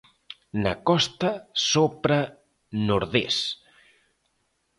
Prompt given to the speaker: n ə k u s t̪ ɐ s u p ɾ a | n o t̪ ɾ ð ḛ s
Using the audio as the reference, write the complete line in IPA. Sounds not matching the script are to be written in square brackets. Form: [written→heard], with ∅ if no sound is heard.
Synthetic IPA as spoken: n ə k [u→ɔ] s t̪ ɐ s [u→o] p ɾ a | n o [t̪→∅] ɾ ð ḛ s